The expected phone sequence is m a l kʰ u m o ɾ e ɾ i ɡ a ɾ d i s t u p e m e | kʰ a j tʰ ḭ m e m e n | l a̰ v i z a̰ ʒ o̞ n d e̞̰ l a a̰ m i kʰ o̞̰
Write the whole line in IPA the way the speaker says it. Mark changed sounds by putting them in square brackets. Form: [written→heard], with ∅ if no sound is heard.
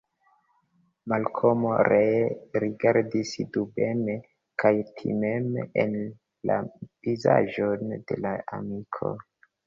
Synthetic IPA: m a l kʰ [u→o] m o ɾ e ɾ i ɡ a ɾ d i s [t→d] u [p→b] e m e | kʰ a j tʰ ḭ m e m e n | l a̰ v i z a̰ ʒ o̞ n d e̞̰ l a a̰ m i kʰ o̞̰